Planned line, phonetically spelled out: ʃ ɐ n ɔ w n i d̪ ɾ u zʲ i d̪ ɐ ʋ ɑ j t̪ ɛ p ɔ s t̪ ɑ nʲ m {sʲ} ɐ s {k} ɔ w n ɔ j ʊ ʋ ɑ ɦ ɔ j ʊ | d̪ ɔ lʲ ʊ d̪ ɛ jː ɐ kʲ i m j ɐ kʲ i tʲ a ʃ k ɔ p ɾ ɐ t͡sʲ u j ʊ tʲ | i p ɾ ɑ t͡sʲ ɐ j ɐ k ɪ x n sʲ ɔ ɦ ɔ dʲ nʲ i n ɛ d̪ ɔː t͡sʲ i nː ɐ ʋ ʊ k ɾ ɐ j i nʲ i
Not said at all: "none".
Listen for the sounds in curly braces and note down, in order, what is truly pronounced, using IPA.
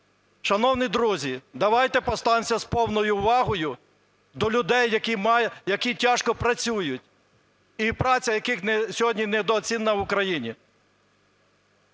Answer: sʲ, p

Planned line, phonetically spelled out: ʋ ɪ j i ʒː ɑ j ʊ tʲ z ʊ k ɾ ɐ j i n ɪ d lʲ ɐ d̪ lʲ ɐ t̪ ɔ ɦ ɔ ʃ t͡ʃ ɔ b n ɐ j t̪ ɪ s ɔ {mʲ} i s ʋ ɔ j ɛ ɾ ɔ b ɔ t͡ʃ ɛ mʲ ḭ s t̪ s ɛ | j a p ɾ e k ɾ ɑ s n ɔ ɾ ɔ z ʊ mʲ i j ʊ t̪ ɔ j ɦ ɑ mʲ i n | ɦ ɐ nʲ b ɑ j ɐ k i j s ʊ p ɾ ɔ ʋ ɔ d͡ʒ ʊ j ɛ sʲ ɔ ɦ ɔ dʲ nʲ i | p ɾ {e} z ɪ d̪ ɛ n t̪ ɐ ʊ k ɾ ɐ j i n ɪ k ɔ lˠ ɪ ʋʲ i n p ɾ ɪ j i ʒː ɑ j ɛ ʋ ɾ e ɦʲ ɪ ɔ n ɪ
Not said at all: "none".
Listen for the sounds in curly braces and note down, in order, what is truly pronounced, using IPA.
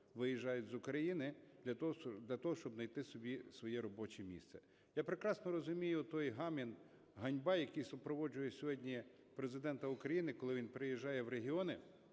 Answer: bʲ, e

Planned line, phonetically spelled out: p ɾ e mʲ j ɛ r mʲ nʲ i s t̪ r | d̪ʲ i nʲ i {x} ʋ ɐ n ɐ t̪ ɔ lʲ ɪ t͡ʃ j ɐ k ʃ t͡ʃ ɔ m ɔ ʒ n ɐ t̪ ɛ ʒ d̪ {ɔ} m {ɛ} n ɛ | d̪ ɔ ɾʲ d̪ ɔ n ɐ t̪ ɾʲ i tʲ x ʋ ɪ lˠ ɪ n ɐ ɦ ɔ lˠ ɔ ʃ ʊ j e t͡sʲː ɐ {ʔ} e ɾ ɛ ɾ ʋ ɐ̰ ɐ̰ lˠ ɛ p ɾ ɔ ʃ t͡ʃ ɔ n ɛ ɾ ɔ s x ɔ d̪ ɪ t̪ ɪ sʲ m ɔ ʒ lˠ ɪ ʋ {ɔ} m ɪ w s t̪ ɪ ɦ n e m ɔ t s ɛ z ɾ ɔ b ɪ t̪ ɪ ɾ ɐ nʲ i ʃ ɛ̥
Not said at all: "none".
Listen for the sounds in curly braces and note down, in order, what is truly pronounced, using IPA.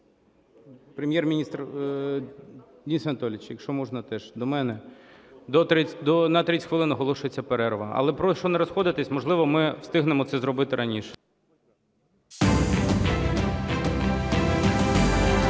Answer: s, ɔ, ɛ, p, ɔ

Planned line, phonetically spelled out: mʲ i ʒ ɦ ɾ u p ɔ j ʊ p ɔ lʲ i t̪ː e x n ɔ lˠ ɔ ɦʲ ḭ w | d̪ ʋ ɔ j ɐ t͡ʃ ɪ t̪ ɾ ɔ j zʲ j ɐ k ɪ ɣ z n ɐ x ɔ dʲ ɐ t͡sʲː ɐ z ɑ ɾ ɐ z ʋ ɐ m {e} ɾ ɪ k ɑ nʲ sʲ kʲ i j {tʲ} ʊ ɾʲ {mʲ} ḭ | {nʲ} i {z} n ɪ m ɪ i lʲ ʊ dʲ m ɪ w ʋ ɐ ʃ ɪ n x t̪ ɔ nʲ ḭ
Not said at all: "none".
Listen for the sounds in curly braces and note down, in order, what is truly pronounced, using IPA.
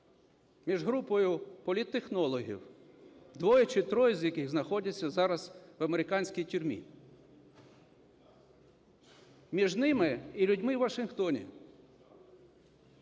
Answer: e, tʲ, mʲ, mʲ, ʒ

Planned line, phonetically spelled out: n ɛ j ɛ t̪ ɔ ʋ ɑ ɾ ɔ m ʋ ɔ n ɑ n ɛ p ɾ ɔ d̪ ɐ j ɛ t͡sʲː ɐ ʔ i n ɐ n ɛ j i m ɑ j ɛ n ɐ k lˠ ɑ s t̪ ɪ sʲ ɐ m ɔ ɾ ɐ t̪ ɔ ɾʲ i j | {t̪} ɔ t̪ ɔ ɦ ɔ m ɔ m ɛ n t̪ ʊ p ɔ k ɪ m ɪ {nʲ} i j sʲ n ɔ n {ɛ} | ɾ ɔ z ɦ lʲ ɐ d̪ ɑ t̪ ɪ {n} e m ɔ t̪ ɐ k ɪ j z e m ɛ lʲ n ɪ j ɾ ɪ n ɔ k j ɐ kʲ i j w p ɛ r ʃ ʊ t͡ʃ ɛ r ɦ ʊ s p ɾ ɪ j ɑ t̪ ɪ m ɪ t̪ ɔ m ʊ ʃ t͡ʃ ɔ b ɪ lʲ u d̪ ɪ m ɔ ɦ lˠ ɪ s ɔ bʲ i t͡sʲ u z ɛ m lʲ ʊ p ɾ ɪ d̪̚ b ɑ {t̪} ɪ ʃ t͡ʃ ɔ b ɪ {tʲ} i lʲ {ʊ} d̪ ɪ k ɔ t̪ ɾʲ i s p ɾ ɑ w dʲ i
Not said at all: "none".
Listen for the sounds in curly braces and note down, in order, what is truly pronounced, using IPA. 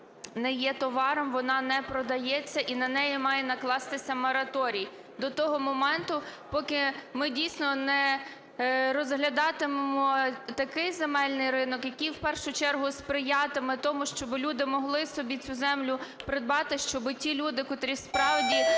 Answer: d̪, dʲ, ɛ, m, t̪, tʲ, u

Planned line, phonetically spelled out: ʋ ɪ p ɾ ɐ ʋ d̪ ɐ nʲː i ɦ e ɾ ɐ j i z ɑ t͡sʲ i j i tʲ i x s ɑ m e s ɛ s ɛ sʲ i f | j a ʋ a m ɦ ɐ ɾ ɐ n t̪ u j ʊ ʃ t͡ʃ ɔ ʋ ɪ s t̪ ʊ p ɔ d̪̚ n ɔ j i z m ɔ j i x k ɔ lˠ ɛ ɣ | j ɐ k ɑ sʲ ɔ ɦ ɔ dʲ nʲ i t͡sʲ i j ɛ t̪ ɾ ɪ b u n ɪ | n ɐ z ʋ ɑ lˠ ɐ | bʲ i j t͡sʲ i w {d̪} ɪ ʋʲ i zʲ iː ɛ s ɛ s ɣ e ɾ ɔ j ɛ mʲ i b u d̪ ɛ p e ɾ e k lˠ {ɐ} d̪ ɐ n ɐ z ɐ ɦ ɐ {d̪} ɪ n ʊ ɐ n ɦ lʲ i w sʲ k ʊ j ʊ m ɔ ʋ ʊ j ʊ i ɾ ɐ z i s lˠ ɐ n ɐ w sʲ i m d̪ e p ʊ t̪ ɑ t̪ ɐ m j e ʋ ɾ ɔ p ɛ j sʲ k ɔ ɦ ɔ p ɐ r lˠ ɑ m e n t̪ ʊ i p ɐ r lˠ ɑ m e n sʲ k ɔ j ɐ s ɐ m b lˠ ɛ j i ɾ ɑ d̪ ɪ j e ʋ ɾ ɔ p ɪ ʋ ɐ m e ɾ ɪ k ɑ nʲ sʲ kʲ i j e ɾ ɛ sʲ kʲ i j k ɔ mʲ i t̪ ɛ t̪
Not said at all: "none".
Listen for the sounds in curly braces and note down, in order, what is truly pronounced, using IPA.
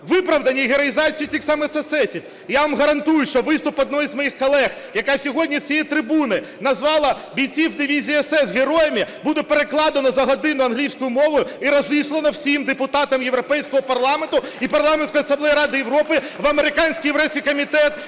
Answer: d̪, ɑ, d̪

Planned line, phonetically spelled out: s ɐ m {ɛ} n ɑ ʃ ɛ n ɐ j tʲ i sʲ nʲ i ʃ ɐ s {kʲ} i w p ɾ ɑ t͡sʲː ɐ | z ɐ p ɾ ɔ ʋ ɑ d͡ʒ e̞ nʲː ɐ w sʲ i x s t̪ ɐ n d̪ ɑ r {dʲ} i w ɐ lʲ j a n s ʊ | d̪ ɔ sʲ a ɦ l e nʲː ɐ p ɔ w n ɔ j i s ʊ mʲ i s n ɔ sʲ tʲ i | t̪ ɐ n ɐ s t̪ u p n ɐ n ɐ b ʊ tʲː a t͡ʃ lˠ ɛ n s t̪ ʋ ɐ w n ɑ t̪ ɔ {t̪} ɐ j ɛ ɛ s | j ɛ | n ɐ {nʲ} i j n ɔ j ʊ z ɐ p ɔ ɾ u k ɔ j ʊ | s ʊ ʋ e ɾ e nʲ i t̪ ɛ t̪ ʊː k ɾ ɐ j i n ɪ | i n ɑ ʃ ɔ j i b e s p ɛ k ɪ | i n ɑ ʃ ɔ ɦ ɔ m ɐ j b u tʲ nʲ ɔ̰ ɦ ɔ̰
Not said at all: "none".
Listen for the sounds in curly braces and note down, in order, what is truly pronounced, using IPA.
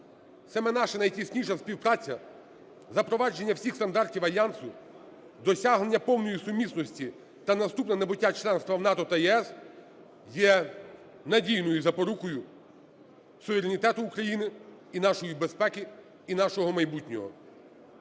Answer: ɛ, pʲ, tʲ, t̪, dʲ

